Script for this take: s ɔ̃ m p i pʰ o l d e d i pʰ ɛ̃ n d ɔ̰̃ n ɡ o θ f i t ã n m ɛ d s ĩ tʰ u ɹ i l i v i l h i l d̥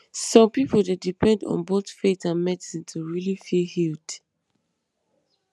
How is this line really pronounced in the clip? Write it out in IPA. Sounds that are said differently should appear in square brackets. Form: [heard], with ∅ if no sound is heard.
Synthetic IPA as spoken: s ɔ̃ m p i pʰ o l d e d i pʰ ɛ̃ n d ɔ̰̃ n [b] o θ f [e] t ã n m ɛ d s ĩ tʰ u ɹ i l i [f] i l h i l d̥

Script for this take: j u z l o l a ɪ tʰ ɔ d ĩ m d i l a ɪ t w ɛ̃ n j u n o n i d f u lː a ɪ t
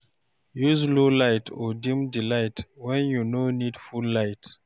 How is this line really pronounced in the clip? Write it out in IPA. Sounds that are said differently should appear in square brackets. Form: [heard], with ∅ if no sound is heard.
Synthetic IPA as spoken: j u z l o l a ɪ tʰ ɔ d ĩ m d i l a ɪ t w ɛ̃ n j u n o n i d f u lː a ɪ t

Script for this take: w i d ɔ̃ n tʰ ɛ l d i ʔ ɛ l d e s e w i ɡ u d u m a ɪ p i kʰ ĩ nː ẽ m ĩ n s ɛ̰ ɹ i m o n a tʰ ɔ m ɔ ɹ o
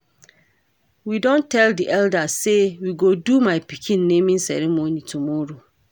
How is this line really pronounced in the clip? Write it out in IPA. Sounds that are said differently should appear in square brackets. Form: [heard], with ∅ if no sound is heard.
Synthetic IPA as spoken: w i d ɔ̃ n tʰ ɛ l d i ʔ ɛ l d [a] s e w i ɡ [o] d u m a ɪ p i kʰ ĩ nː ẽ m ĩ n s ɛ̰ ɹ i m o n [i] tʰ [u] m ɔ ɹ o

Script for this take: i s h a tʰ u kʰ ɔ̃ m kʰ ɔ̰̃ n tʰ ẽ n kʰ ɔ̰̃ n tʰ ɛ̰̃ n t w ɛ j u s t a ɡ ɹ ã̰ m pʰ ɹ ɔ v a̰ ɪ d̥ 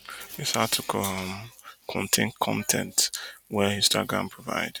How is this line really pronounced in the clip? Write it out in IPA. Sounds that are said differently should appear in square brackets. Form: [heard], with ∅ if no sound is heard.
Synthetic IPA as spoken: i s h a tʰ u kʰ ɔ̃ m kʰ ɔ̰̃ n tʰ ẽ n kʰ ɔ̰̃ n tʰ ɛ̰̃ n t w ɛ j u s t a ɡ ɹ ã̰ m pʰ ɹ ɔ v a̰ ɪ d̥

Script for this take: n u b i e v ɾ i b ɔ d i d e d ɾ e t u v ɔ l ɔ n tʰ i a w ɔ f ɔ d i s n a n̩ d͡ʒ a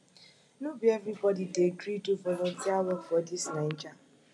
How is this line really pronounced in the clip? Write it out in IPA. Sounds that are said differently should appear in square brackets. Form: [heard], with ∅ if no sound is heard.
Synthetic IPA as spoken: n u b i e v ɾ i b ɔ d i d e [ɡ] ɾ [i] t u v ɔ l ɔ n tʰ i a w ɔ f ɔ d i s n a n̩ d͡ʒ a

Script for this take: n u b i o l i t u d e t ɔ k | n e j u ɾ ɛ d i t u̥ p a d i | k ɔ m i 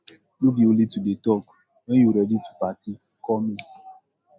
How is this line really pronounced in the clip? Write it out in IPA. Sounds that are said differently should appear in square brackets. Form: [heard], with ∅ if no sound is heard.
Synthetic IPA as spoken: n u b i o l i t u d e t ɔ k | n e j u ɾ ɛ d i t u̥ p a [t] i | k ɔ m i

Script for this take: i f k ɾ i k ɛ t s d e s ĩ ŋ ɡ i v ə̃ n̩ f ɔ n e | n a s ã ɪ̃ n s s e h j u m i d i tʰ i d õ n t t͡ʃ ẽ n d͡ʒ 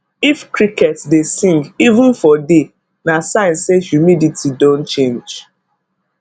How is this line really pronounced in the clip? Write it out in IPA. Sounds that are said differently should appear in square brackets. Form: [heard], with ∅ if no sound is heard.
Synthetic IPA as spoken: i f k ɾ i k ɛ t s d e s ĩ ŋ ɡ i v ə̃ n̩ f ɔ [d] e | n a s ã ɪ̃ n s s e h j u m i d i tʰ i d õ n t t͡ʃ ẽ n d͡ʒ

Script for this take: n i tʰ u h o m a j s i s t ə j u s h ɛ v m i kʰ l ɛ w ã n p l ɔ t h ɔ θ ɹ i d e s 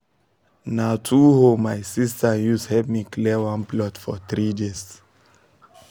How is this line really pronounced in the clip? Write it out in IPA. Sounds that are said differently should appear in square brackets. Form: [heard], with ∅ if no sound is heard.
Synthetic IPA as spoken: n [a] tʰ u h o m a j s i s t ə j u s h ɛ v m i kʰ l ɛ w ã n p l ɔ t [f] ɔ θ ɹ i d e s

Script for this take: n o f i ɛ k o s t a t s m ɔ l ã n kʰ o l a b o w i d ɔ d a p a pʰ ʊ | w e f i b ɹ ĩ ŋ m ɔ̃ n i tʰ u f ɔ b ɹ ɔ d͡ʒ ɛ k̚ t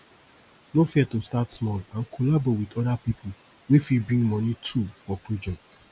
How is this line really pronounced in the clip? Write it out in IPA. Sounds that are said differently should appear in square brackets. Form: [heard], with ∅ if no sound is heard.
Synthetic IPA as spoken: n o f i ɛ [t] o s t a t s m ɔ l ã n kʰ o l a b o w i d ɔ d a p [i] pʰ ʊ | w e f i b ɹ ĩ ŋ m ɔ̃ n i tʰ u f ɔ [p] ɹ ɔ d͡ʒ ɛ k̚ t

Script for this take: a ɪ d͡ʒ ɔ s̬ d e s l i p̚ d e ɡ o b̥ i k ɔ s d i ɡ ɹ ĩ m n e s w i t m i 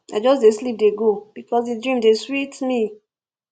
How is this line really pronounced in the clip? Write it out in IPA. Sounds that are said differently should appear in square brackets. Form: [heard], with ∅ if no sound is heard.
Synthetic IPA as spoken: a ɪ d͡ʒ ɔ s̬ d e s l i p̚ d e ɡ o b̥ i k ɔ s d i [d] ɹ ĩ m [d] e s w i t m i

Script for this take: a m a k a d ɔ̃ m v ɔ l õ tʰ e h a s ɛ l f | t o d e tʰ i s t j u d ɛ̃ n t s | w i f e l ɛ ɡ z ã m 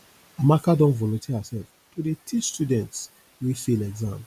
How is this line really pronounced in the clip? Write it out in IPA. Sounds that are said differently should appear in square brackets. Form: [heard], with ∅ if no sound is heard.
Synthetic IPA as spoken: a m a k a d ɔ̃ [n] v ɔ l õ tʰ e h a s ɛ l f | t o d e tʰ i s t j u d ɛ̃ n t s | w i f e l ɛ ɡ z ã m

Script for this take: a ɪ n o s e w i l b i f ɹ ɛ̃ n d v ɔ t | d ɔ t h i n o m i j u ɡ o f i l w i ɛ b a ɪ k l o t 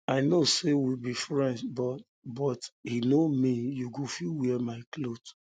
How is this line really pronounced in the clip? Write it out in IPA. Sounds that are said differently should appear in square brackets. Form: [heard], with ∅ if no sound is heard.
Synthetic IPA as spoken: a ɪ n o s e w i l b i f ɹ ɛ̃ n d [b] ɔ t | [b] ɔ t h i n o m i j u ɡ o f i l w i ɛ [m] a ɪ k l o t

